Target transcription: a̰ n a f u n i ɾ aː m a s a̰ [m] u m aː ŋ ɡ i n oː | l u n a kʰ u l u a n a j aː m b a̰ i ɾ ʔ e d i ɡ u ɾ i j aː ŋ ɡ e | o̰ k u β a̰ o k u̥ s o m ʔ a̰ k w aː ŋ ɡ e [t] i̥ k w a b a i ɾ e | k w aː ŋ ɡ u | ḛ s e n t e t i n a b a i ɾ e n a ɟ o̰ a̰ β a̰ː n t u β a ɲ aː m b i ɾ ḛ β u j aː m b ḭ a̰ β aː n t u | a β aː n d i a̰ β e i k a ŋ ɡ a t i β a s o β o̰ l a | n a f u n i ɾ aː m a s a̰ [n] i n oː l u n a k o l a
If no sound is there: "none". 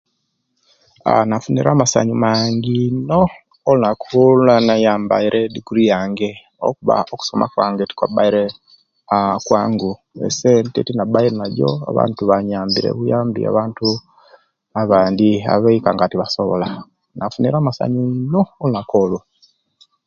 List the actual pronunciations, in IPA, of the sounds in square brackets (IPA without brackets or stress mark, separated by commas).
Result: ɲ, t, ɲ